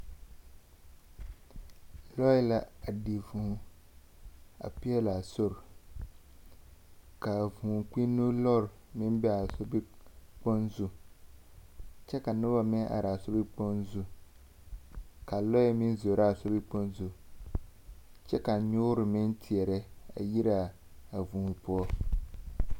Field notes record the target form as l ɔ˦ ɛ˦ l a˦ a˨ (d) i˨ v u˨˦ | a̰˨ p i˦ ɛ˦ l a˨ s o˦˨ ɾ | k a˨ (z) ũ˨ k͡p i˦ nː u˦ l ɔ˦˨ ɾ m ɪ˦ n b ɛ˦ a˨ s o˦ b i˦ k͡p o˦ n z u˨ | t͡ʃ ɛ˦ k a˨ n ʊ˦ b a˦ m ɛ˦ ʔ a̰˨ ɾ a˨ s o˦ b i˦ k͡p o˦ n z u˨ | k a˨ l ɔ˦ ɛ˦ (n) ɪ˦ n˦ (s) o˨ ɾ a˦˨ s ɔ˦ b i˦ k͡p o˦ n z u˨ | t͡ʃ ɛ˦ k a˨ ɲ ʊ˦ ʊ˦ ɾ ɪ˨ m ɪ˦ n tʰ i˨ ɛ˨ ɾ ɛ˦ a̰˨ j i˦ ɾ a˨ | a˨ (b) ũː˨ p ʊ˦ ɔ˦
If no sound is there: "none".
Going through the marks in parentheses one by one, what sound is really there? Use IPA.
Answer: d, v, m, z, v

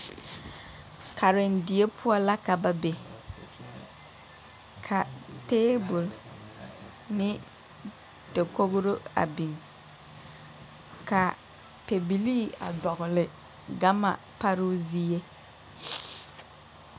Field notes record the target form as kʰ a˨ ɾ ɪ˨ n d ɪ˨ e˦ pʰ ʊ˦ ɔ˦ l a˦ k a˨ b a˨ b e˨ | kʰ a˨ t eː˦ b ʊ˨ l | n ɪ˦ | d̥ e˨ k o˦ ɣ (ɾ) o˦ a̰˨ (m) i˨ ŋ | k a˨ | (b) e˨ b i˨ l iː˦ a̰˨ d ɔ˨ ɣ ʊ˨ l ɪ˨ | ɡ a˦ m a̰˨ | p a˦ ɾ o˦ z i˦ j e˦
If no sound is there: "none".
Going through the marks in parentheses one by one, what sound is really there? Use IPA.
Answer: ɾ, b, p

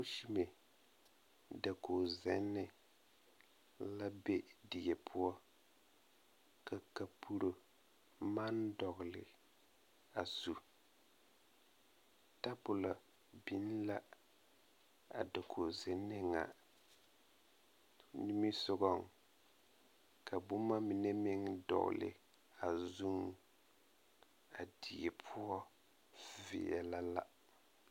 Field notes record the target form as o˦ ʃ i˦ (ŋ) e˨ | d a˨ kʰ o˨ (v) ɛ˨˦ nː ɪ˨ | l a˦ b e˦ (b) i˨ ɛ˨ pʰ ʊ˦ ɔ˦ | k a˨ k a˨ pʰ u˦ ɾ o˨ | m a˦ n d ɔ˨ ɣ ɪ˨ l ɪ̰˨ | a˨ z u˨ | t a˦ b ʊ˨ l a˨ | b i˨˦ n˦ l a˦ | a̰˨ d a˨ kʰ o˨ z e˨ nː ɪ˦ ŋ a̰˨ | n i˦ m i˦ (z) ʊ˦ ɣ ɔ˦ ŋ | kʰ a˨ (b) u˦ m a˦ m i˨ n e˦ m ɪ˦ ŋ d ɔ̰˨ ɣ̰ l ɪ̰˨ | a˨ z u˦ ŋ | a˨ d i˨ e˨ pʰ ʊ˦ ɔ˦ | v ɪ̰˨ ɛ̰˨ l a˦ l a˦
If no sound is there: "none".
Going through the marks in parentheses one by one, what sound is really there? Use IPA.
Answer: m, z, d, s, b

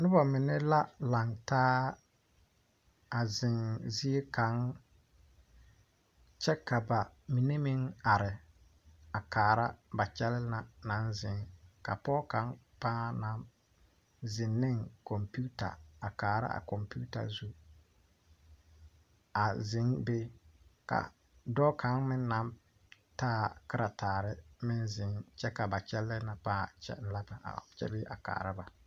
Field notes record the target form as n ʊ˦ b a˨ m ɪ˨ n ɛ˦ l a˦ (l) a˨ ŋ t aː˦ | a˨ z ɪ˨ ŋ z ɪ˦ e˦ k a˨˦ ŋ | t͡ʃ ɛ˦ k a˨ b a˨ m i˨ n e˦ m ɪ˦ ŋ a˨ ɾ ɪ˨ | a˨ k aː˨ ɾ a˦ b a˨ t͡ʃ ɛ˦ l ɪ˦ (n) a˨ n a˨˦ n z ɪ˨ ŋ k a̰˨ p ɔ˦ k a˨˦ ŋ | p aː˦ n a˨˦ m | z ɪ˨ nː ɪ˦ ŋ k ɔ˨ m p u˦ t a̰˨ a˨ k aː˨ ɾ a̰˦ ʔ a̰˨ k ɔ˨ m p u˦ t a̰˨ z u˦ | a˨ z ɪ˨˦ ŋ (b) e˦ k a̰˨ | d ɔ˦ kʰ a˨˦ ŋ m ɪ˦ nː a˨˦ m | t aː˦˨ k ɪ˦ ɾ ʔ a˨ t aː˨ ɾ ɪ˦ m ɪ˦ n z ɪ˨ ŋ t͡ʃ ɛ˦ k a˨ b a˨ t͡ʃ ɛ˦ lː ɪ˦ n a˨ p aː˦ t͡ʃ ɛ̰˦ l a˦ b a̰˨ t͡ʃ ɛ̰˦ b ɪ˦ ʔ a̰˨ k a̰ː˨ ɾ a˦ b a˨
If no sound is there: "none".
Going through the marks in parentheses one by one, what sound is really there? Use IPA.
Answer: l, n, b

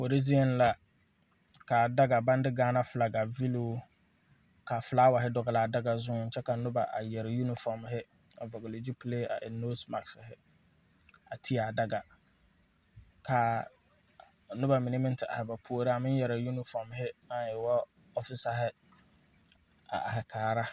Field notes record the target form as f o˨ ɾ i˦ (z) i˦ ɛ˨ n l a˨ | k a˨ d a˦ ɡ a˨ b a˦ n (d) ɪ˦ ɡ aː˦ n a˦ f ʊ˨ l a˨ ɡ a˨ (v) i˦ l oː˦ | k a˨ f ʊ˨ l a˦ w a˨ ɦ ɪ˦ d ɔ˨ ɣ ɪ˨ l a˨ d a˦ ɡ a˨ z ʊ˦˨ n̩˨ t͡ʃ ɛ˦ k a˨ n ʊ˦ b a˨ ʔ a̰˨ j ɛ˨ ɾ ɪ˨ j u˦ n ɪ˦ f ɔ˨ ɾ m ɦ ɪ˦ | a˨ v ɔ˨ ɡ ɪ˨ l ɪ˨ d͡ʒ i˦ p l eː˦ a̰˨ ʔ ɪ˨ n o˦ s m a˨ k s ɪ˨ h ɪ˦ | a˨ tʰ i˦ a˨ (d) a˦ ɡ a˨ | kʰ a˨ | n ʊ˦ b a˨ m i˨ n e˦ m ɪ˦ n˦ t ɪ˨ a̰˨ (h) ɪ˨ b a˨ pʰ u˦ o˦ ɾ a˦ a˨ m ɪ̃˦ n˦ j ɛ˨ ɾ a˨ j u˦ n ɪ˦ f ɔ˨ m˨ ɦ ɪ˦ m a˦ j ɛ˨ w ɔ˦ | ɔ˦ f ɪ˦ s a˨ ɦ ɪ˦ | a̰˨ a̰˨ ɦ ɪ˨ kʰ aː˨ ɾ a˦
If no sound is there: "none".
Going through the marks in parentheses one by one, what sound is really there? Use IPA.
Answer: z, d, v, d, h

